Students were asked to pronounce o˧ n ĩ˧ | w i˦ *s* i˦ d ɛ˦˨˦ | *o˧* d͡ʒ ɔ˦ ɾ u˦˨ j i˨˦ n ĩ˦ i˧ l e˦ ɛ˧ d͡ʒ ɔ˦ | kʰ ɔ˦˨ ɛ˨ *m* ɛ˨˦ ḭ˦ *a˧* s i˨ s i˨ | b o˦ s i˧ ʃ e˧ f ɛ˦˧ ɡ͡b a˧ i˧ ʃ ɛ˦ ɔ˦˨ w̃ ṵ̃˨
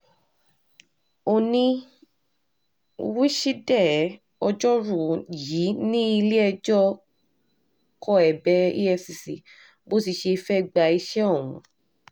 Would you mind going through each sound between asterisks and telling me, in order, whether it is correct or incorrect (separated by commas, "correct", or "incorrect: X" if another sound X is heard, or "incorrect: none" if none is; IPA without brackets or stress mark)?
incorrect: ʃ, incorrect: ɔ˧, incorrect: b, incorrect: ɛ˧